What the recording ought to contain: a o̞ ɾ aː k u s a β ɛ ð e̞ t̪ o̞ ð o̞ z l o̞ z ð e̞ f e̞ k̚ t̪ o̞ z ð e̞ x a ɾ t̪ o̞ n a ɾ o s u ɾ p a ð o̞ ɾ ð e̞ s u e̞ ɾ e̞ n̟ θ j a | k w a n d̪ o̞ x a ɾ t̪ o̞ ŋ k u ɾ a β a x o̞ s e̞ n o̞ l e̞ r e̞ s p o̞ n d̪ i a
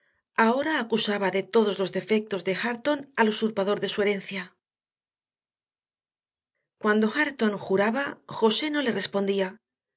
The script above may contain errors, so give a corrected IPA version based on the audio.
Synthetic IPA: a o̞ ɾ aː k u s a β a ð e̞ t̪ o̞ ð o̞ z l o̞ z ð e̞ f e̞ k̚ t̪ o̞ z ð e̞ x a ɾ t̪ o̞ n a l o s u ɾ p a ð o̞ ɾ ð e̞ s u e̞ ɾ e̞ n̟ θ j a | k w a n d̪ o̞ x a ɾ t̪ o̞ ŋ x u ɾ a β a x o̞ s e̞ n o̞ l e̞ r e̞ s p o̞ n d̪ i a

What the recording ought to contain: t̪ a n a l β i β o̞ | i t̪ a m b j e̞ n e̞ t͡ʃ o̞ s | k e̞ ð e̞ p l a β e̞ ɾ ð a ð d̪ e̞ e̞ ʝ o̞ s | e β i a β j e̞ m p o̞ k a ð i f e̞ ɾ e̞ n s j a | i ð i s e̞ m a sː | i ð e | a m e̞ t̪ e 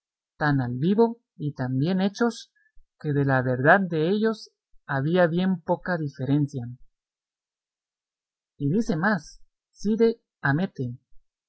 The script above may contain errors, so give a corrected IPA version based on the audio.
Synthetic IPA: t̪ a n a l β i β o̞ | i t̪ a m b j e̞ n e̞ t͡ʃ o̞ s | k e̞ ð e̞ l a β e̞ ɾ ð a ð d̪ e̞ e̞ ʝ o̞ s | a β i a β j e̞ m p o̞ k a ð i f e̞ ɾ e̞ n s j a | i ð i s e̞ m a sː | i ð e | a m e̞ t̪ e

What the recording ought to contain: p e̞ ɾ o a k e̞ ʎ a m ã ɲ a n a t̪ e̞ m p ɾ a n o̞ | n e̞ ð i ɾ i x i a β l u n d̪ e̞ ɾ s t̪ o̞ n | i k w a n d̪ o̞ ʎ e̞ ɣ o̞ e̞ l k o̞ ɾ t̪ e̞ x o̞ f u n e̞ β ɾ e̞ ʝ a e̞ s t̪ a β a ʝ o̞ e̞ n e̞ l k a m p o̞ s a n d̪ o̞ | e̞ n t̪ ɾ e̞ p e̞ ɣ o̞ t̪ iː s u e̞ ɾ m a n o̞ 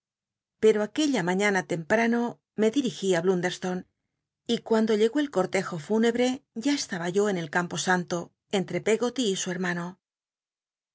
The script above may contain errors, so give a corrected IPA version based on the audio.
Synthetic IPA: p e̞ ɾ o a k e̞ ʎ a m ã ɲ a n a t̪ e̞ m p ɾ a n o̞ | m e̞ ð i ɾ i x i a β l u n d̪ e̞ ɾ s t̪ o̞ n | i k w a n d̪ o̞ ʎ e̞ ɣ o̞ e̞ l k o̞ ɾ t̪ e̞ x o̞ f u n e̞ β ɾ e̞ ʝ a e̞ s t̪ a β a ʝ o̞ e̞ n e̞ l k a m p o̞ s a n t̪ o̞ | e̞ n t̪ ɾ e̞ p e̞ ɣ o̞ t̪ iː s u e̞ ɾ m a n o̞

